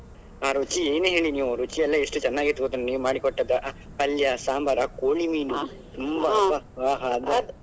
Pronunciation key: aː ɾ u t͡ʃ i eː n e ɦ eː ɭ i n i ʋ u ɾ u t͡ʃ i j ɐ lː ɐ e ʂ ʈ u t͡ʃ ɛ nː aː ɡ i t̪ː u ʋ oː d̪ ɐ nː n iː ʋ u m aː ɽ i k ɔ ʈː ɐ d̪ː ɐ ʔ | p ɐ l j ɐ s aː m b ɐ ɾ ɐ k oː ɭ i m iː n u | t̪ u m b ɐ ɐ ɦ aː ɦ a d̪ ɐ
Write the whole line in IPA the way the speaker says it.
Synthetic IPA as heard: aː ɾ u t͡ʃ i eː n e ɦ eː ɭ i n iː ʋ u ɾ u t͡ʃ i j ɐ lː ɐ e ʂ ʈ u t͡ʃ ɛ nː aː ɡ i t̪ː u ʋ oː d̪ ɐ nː n iː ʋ u m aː ɽ i k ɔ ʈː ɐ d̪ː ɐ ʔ | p ɐ l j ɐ s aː m b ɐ ɾ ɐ k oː ɭ i m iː n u | t̪ u m b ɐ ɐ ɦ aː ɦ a d̪ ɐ